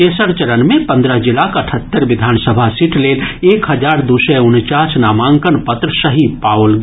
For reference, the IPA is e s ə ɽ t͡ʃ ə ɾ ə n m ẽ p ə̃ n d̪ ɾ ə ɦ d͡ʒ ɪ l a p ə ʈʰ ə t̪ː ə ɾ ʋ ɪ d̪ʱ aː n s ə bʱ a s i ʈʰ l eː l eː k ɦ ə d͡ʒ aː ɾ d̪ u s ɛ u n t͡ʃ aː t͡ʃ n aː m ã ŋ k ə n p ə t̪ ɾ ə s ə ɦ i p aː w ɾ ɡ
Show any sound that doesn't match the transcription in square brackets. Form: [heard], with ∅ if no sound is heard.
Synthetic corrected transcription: e s ə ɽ t͡ʃ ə ɾ ə n m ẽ p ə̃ n d̪ ɾ ə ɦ d͡ʒ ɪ l a [k] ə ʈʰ ə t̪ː ə ɾ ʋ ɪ d̪ʱ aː n s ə bʱ a s i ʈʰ l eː l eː k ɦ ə d͡ʒ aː ɾ d̪ u s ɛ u n t͡ʃ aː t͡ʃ n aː m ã ŋ k ə n p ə t̪ ɾ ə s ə ɦ i p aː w [l] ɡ